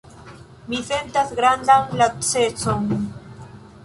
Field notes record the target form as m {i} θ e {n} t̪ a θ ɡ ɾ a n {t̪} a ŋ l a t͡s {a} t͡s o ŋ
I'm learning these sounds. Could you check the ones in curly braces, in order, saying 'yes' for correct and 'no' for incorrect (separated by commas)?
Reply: yes, yes, no, no